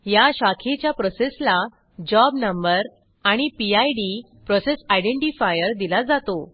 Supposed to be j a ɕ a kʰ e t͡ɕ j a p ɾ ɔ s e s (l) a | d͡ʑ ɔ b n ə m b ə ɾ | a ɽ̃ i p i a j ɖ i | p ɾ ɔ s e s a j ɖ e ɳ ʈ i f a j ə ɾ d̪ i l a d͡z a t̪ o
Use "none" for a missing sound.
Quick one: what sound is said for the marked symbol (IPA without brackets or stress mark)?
l